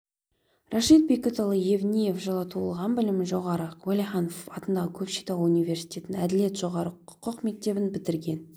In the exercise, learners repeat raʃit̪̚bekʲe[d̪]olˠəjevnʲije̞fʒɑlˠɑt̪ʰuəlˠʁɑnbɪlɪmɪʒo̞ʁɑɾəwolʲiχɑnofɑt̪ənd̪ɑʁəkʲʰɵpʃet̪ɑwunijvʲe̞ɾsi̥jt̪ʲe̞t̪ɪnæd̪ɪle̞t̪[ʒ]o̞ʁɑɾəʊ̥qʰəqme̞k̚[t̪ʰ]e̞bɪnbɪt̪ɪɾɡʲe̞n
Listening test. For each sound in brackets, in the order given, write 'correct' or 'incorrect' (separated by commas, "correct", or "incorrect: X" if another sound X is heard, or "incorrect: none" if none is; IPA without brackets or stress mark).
incorrect: t̪, correct, incorrect: t̪